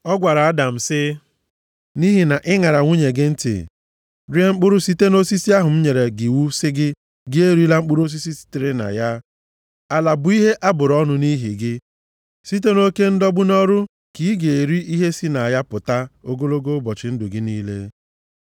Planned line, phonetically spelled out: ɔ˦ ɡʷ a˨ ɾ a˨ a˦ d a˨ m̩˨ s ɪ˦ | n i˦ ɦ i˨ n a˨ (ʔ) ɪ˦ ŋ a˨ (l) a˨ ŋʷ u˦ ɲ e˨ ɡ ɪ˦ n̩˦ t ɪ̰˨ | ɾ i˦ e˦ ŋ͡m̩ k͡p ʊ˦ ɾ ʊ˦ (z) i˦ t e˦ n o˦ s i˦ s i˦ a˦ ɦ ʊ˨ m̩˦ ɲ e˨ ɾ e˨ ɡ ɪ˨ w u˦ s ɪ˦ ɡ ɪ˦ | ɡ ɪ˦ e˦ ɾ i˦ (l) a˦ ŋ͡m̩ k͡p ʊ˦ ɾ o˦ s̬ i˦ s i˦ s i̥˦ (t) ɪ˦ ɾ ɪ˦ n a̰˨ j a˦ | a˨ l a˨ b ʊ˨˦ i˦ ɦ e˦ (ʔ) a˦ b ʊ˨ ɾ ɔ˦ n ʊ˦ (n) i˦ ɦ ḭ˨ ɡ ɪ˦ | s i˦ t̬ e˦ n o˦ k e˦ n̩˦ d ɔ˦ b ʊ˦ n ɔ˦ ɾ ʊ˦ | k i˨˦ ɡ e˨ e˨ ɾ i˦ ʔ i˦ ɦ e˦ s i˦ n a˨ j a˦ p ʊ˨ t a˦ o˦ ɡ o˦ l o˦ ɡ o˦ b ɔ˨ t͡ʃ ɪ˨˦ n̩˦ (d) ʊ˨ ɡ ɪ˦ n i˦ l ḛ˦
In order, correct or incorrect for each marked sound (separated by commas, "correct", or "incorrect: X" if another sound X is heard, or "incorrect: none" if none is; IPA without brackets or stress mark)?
correct, incorrect: ɾ, incorrect: s, correct, correct, correct, correct, correct